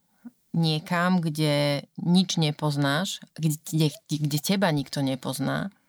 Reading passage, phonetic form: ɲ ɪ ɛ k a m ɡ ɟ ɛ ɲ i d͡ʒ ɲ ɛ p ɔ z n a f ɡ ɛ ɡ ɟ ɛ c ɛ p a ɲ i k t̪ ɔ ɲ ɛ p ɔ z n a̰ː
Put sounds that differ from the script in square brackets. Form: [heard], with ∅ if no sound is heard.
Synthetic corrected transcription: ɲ ɪ ɛ k a m ɡ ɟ ɛ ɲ i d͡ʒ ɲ ɛ p ɔ z n a [ʃ] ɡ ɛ ɡ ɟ ɛ c ɛ [b] a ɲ i k t̪ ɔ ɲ ɛ p ɔ z n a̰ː